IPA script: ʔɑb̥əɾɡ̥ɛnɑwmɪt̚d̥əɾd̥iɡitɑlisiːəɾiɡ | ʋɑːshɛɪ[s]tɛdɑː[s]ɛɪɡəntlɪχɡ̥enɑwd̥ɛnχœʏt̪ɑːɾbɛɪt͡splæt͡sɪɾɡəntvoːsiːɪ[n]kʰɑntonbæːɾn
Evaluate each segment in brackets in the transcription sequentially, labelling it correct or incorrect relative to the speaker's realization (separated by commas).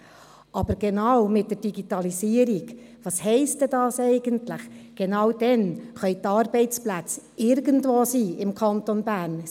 correct, correct, incorrect